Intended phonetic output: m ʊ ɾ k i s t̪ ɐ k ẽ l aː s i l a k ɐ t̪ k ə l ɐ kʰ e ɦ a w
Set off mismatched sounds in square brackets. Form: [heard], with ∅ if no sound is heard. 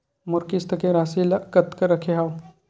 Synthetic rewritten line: m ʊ ɾ k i s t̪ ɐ k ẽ [ɾ] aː s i l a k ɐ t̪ k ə [ɾ] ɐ kʰ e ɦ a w